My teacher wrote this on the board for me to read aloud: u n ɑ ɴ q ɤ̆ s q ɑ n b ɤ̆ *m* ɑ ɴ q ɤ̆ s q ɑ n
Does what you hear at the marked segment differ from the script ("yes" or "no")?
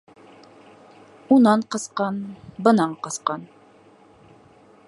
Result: yes